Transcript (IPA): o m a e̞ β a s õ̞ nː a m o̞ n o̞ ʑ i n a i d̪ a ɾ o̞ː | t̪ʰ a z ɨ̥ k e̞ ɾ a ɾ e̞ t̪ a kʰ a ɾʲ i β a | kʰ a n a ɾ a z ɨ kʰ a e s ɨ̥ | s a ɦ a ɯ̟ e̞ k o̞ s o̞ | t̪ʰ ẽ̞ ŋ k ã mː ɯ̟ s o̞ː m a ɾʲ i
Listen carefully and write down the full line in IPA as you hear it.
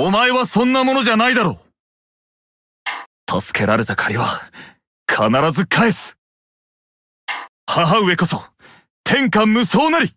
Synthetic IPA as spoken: o m a e̞ β a s õ̞ nː a m o̞ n o̞ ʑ a n a i d̪ a ɾ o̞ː | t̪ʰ a s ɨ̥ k e̞ ɾ a ɾ e̞ t̪ a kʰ a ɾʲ i β a | kʰ a n a ɾ a z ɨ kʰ a e s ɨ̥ | h a ɦ a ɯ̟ e̞ k o̞ s o̞ | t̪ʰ ẽ̞ ŋ k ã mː ɯ̟ s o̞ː n a ɾʲ i